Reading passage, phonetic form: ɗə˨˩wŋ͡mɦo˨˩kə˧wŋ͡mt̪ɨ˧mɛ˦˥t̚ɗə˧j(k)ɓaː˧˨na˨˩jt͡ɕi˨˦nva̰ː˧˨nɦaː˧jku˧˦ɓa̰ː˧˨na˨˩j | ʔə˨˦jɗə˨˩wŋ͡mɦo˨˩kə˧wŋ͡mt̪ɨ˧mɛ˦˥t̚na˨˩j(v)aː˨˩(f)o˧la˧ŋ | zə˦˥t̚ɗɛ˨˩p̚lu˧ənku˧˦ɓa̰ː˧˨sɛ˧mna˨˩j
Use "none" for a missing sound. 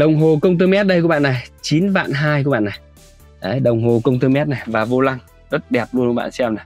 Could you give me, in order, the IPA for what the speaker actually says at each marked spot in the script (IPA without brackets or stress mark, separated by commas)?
k, v, v